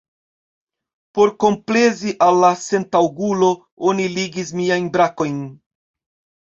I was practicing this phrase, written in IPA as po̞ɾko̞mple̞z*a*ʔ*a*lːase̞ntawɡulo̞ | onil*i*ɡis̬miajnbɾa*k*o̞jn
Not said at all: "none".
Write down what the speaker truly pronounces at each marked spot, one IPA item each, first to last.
i, a, i, k

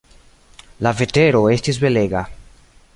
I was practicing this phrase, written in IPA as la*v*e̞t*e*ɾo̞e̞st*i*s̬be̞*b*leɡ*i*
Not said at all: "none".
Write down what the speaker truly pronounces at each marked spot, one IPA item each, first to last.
v, e, i, none, a

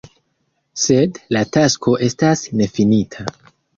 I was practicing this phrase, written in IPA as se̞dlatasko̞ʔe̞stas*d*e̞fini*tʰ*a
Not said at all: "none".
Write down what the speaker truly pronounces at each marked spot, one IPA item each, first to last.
n, tʰ

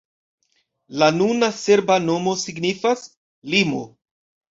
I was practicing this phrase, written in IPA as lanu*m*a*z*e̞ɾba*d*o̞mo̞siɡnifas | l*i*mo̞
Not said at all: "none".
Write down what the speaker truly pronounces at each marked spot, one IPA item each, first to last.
n, s, n, i

